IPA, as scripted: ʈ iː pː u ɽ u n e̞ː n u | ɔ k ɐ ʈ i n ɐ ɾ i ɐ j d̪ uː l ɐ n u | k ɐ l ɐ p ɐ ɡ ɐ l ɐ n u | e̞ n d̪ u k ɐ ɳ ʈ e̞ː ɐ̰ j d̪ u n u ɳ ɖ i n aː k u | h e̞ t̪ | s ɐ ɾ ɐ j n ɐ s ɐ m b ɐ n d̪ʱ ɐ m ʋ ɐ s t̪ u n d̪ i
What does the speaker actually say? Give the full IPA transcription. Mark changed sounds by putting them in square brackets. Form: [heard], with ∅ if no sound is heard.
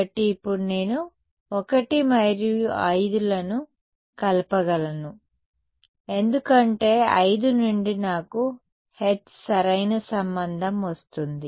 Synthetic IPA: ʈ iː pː u ɽ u n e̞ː n u | ɔ k ɐ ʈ i [m] ɐ ɾ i ɐ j d̪ [u] l ɐ n u | k ɐ l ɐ p ɐ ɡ ɐ l ɐ n u | e̞ n d̪ u k ɐ ɳ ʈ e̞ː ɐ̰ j d̪ u n u ɳ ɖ i n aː k u | h e̞ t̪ | s ɐ ɾ ɐ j n ɐ s ɐ m b ɐ n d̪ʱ ɐ m ʋ ɐ s t̪ u n d̪ i